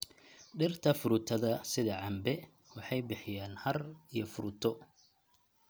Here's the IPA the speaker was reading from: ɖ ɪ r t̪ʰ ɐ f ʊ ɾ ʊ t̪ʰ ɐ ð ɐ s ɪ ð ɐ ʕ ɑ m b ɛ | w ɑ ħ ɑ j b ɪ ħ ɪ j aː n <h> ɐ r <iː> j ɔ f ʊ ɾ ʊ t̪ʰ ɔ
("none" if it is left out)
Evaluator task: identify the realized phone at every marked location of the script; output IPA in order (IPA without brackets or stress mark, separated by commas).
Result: h, i